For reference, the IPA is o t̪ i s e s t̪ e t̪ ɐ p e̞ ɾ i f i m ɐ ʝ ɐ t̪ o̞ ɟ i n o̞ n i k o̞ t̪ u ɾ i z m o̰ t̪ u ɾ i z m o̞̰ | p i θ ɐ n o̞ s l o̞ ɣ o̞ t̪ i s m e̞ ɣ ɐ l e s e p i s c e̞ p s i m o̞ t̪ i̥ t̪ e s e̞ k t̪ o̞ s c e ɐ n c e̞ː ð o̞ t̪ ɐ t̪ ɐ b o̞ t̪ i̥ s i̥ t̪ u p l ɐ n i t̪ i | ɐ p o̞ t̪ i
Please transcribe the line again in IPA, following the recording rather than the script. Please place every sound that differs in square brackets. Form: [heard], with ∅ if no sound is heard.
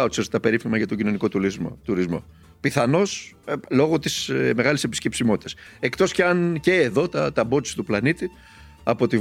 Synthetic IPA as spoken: o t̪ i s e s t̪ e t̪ ɐ p e̞ ɾ i f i m ɐ ʝ ɐ t̪ o̞ ɟ i n o̞ n i k o̞ t̪ u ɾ i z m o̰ t̪ u ɾ i z m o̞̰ | p i θ ɐ n o̞ s l o̞ ɣ o̞ t̪ i s m e̞ ɣ ɐ l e s e p i s c e̞ p s i m o̞ t̪ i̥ t̪ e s e̞ k t̪ o̞ s c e ɐ n c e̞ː ð o̞ t̪ ɐ t̪ ɐ b o̞ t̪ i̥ s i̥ t̪ u p l ɐ n i t̪ i | ɐ p o̞ t̪ i